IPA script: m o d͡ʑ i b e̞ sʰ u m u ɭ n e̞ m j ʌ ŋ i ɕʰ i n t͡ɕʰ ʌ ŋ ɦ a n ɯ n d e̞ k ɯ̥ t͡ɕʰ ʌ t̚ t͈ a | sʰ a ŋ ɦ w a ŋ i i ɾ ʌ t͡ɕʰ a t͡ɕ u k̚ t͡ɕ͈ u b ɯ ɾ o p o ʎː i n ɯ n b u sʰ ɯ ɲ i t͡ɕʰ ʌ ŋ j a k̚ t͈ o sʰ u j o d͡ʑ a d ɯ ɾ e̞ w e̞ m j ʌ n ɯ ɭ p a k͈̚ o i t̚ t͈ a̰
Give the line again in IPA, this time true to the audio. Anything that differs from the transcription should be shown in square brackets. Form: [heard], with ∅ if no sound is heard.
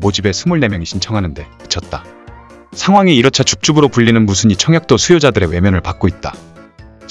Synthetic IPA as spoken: m o d͡ʑ i b e̞ sʰ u m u ɭ n e̞ m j ʌ ŋ i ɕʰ i n t͡ɕʰ ʌ ŋ ɦ a n ɯ n d e̞ k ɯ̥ t͡ɕʰ ʌ t̚ t͈ a | sʰ a ŋ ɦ w a ŋ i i ɾ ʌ t͡ɕʰ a t͡ɕ u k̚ t͡ɕ͈ u b ɯ ɾ o p [u] ʎː i n ɯ n [m] u sʰ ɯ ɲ i t͡ɕʰ ʌ ŋ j a k̚ t͈ o sʰ u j o d͡ʑ a d ɯ ɾ e̞ w e̞ m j ʌ n ɯ ɭ p a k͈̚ o i t̚ t͈ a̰